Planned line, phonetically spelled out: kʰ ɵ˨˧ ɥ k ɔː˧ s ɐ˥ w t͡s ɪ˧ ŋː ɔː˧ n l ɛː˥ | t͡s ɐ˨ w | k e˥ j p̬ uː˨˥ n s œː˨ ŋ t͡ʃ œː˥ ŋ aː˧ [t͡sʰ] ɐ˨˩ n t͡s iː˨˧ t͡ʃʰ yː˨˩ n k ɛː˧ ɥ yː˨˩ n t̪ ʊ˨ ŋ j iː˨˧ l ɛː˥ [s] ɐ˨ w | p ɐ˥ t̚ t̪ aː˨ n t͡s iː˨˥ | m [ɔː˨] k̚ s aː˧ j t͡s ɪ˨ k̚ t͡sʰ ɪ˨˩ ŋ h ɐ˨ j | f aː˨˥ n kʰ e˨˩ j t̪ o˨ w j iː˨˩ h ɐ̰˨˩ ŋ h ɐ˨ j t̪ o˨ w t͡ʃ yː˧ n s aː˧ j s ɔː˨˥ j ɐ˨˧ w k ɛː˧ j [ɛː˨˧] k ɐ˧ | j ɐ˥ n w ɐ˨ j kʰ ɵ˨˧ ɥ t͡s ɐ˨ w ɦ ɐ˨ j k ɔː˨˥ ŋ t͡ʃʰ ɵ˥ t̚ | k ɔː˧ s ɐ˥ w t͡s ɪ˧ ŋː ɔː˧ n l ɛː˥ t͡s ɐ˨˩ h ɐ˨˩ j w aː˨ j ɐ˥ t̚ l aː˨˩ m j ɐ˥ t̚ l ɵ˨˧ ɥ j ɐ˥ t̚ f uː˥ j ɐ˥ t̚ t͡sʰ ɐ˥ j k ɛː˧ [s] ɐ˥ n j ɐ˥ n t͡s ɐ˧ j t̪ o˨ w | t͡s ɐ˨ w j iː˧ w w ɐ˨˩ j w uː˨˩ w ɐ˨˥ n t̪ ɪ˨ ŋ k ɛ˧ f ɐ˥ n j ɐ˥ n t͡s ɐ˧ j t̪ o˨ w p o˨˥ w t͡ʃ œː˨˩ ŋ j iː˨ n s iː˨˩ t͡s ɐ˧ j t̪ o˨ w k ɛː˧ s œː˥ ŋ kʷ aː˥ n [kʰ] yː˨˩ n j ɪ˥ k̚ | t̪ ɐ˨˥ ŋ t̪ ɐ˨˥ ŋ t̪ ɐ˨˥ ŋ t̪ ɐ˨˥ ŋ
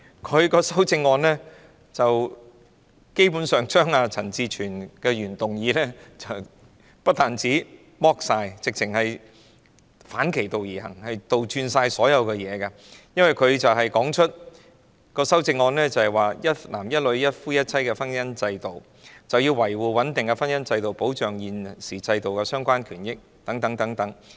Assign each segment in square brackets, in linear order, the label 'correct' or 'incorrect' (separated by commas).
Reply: correct, incorrect, incorrect, correct, incorrect, correct